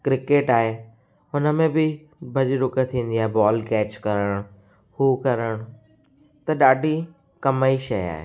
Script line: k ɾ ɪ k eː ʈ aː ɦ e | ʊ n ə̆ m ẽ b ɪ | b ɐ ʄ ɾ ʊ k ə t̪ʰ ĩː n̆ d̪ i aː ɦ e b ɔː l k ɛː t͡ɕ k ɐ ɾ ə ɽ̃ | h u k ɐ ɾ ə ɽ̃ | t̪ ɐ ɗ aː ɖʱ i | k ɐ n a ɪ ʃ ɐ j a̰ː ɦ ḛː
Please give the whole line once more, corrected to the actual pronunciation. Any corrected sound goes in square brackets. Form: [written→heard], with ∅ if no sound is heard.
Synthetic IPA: k ɾ ɪ k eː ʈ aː ɦ e | ʊ n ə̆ m ẽ b ɪ | b ɐ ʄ ɾ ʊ k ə t̪ʰ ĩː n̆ d̪ i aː ɦ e b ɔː l k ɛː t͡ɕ k ɐ ɾ ə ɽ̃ | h u k ɐ ɾ ə ɽ̃ | t̪ ɐ ɗ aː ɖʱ i | k ɐ [n→m] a [ɪ→i] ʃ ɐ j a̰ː ɦ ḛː